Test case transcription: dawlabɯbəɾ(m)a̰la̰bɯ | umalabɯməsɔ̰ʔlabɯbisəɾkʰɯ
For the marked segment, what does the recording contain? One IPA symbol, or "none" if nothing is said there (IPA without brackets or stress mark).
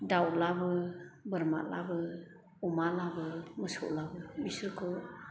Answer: m